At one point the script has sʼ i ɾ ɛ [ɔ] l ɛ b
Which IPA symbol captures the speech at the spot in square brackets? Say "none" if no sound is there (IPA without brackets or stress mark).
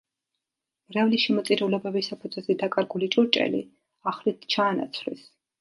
u